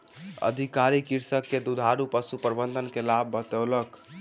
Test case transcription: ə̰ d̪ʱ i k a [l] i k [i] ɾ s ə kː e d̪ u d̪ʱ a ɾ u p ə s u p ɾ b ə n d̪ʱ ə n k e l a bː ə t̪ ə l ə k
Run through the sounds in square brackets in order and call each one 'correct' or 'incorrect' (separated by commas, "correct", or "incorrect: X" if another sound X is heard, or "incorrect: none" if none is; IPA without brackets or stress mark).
incorrect: ɾ, correct